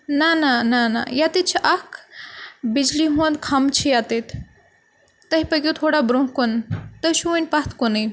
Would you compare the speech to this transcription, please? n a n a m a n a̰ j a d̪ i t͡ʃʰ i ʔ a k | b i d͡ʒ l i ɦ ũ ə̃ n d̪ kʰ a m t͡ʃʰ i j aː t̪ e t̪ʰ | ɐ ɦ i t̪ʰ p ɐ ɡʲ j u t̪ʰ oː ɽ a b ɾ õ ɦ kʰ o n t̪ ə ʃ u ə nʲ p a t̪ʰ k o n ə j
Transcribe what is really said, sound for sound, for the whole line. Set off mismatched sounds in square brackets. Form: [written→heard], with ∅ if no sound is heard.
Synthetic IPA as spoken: n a n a [m→n] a n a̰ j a [d̪→t̪] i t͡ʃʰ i ʔ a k | b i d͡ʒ l i ɦ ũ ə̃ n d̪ kʰ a m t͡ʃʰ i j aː t̪ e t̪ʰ | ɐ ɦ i [t̪ʰ→∅] p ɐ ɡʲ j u t̪ʰ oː ɽ a b ɾ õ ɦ [kʰ→k] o n t̪ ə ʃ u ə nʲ p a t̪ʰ k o n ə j